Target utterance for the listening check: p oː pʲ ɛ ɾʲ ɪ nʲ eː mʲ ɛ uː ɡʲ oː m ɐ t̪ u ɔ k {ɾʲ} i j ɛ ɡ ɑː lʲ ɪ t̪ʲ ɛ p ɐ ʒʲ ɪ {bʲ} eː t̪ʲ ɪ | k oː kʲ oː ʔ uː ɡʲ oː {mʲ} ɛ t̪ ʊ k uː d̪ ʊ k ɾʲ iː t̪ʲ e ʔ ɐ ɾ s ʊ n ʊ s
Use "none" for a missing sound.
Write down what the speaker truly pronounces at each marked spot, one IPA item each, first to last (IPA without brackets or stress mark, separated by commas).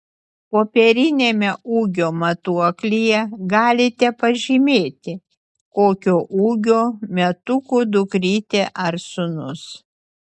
lʲ, mʲ, mʲ